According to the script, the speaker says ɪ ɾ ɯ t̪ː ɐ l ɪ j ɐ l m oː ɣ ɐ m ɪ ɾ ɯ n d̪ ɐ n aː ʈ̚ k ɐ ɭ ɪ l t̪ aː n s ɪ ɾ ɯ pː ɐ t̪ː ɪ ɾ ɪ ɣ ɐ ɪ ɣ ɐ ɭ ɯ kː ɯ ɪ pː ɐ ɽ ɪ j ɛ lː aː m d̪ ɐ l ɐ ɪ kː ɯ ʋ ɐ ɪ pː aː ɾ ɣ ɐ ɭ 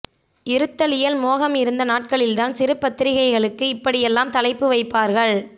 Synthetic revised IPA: ɪ ɾ ɯ t̪ː ɐ l ɪ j ɐ l m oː ɣ ɐ m ɪ ɾ ɯ n d̪ ɐ n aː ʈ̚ k ɐ ɭ ɪ l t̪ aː n s ɪ ɾ ɯ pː ɐ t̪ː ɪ ɾ ɪ ɣ ɐ ɪ ɣ ɐ ɭ ɯ kː ɯ ɪ pː ɐ ɽ ɪ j ɛ lː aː m t̪ ɐ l ɐ ɪ pː ɯ ʋ ɐ ɪ pː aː ɾ ɣ ɐ ɭ